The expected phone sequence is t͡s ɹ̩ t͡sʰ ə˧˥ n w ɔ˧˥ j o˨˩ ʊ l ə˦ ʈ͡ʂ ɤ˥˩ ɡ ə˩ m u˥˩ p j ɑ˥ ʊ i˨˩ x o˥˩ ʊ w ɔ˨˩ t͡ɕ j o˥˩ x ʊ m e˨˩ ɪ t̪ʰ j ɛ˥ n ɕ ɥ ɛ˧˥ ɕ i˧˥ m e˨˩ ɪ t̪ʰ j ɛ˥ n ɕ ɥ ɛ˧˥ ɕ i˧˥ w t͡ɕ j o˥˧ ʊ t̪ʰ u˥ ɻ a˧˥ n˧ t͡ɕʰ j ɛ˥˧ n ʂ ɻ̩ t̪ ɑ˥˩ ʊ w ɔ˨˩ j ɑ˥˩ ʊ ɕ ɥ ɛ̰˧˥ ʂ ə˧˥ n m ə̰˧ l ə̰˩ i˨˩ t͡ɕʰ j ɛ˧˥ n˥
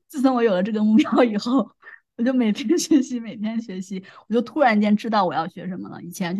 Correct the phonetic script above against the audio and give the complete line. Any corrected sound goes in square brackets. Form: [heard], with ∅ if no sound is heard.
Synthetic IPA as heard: t͡s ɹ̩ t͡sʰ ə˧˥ n w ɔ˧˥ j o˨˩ ʊ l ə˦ ʈ͡ʂ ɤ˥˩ ɡ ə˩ m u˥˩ p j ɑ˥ ʊ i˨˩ x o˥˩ ʊ w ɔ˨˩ t͡ɕ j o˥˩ [∅] ʊ m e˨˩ ɪ t̪ʰ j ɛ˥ n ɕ ɥ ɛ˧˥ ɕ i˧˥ m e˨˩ ɪ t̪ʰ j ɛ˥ n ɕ ɥ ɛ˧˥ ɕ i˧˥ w t͡ɕ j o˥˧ ʊ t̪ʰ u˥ ɻ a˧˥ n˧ [t͡ɕ] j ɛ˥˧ n [ʈ͡ʂ] ɻ̩ t̪ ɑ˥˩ ʊ w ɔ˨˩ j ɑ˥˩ ʊ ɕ ɥ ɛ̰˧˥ ʂ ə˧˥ n m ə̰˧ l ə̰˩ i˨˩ t͡ɕʰ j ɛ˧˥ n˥